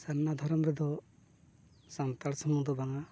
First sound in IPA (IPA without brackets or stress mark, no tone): s